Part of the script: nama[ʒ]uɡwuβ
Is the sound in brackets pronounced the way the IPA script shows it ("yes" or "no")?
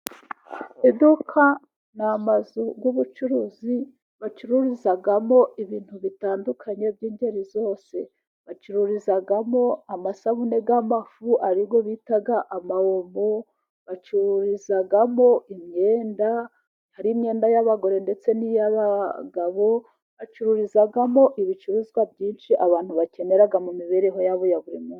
no